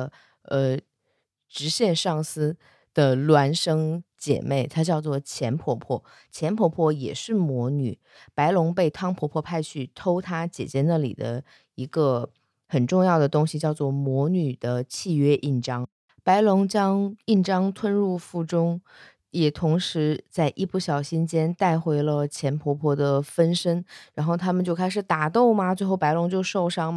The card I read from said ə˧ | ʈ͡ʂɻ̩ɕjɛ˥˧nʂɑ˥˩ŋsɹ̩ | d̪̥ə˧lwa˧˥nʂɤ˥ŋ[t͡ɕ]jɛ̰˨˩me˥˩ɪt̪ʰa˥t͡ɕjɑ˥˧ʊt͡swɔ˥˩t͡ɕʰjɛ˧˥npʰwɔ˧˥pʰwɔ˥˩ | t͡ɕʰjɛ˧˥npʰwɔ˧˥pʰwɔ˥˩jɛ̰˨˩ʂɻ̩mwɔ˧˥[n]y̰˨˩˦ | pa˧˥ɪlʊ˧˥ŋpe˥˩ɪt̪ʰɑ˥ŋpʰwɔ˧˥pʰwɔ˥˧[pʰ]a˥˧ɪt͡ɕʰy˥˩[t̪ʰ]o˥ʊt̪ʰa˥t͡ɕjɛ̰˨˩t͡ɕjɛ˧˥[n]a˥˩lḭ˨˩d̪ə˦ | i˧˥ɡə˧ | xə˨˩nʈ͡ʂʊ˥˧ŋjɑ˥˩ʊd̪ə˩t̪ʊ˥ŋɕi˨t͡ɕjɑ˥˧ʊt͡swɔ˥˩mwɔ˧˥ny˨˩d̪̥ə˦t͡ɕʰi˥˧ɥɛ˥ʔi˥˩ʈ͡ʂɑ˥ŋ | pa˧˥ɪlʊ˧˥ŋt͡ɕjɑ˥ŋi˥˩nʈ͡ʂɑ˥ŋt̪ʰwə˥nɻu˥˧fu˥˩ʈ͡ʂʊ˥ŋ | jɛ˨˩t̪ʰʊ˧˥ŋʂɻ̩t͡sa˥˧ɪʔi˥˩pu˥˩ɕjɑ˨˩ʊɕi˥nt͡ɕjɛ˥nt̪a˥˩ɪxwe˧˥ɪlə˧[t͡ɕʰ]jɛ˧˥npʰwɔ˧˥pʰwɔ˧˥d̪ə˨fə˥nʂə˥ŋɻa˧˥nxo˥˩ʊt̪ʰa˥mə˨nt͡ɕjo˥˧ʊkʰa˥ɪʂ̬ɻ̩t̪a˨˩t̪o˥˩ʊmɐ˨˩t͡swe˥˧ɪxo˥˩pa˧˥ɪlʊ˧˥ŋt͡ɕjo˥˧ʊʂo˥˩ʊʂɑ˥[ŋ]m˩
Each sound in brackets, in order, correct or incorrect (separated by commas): correct, correct, correct, correct, correct, correct, correct